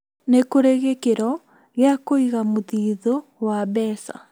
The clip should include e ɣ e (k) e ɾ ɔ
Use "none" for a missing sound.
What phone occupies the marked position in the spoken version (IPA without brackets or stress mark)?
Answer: k